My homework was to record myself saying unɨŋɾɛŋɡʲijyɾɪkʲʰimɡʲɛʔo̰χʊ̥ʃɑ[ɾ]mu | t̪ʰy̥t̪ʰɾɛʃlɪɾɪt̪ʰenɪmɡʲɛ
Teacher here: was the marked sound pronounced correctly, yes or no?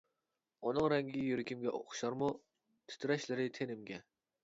yes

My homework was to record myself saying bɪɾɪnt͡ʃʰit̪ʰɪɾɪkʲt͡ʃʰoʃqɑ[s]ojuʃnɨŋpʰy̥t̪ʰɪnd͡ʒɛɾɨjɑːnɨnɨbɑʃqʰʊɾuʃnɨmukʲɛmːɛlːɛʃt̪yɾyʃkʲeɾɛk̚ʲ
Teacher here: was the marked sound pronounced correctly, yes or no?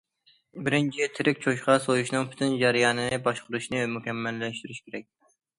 yes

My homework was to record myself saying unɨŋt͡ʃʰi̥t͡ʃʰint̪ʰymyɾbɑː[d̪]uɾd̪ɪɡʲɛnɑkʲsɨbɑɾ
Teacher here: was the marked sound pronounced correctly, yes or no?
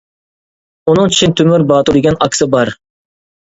no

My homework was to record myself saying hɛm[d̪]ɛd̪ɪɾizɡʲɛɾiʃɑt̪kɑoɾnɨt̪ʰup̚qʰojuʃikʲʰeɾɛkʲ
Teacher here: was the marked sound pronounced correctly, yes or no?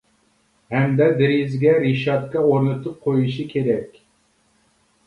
yes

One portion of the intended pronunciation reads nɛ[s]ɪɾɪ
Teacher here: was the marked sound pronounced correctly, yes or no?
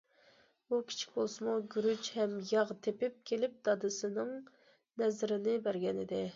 no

